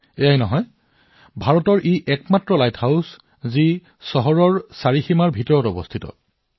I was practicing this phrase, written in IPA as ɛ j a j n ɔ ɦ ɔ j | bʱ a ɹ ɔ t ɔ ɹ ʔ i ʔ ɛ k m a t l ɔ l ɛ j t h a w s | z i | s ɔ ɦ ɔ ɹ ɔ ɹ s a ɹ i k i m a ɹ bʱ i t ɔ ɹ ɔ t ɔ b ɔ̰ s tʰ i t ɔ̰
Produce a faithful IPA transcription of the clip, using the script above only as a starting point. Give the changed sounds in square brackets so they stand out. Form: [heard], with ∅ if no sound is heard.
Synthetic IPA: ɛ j a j n ɔ ɦ ɔ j | bʱ a ɹ ɔ t ɔ ɹ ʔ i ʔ ɛ k m a t [ɹ] ɔ l [a] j t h a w s | z i | s ɔ ɦ ɔ ɹ ɔ ɹ s a ɹ i [x] i m a ɹ bʱ i t ɔ ɹ ɔ t ɔ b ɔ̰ s tʰ i t ɔ̰